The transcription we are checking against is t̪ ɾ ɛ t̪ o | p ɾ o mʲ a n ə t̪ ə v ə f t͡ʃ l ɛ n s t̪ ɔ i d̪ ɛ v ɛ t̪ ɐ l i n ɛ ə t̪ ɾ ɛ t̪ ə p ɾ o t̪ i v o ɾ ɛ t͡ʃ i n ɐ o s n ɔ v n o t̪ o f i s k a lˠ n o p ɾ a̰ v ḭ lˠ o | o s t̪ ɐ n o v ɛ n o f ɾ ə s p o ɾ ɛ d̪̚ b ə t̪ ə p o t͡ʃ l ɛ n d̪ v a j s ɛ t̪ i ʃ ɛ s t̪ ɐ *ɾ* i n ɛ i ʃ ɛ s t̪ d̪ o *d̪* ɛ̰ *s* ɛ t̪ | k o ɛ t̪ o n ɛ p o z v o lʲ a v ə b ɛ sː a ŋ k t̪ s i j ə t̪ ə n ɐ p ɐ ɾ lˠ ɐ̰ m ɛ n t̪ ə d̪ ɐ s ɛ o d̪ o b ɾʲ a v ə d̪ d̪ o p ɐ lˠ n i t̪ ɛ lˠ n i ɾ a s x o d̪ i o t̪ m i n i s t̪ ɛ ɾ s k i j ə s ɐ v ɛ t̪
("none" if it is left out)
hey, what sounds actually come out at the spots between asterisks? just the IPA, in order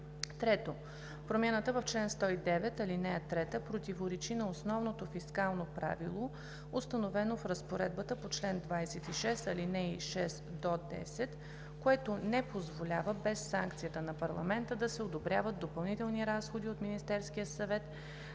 l, d̪, s

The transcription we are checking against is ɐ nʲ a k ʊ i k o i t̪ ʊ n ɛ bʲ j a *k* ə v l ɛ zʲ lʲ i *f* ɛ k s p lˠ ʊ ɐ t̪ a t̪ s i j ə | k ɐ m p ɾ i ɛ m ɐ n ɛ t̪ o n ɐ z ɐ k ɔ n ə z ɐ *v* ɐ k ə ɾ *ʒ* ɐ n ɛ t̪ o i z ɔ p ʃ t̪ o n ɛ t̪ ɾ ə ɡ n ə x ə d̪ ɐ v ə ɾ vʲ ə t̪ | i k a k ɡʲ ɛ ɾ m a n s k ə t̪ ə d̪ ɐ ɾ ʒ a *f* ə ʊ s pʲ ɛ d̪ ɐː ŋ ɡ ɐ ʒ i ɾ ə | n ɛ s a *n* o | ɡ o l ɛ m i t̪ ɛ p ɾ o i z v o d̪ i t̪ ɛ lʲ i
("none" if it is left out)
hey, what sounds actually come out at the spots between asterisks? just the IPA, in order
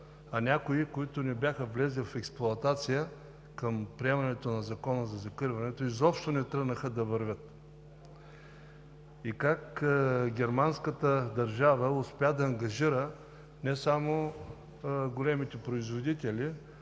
x, f, z, v, v, m

